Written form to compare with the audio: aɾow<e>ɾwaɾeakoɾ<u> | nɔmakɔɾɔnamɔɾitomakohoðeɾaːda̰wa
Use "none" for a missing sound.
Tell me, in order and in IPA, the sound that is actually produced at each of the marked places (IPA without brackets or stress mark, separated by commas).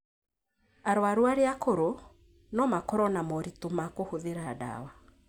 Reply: a, o